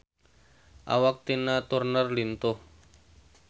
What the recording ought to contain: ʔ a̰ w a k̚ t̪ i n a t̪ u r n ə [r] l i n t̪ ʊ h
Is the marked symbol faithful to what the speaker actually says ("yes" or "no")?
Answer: yes